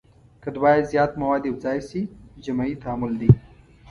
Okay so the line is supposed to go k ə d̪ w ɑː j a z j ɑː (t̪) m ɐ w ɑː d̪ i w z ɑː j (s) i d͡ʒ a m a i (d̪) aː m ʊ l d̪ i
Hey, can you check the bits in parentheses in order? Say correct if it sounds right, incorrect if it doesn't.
correct, correct, incorrect: t̪

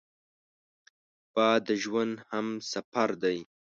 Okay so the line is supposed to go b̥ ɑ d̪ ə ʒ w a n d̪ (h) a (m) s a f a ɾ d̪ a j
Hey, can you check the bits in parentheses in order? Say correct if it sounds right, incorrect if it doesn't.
correct, correct

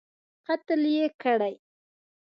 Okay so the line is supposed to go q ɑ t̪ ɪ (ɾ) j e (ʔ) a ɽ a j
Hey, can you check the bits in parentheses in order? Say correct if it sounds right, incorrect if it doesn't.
incorrect: l, incorrect: k

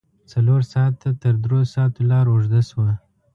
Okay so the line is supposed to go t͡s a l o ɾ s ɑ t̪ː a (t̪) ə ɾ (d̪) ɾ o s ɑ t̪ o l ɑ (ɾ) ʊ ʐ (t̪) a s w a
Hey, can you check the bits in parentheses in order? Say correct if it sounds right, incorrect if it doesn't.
correct, correct, correct, incorrect: d̪

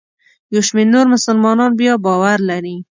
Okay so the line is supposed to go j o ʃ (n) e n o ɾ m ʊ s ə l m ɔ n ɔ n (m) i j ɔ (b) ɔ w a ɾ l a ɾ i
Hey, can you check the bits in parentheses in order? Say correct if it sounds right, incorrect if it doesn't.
incorrect: m, incorrect: b, correct

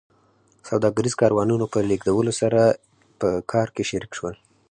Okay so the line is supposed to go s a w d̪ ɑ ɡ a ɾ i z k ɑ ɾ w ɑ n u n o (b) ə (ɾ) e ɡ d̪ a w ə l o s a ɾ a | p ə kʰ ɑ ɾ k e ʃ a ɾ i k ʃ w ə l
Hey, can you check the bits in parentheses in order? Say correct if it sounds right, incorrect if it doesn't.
incorrect: p, incorrect: l

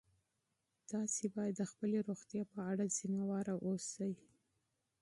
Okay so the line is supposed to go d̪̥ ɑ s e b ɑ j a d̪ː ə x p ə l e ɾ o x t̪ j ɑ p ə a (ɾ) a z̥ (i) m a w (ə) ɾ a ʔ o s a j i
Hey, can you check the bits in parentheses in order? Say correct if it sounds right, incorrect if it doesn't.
incorrect: ɽ, correct, incorrect: ɑ

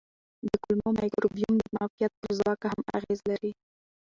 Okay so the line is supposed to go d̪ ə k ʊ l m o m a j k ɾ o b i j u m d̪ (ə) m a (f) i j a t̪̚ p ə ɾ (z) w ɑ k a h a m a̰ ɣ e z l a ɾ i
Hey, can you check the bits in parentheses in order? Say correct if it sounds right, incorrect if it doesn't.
correct, correct, correct

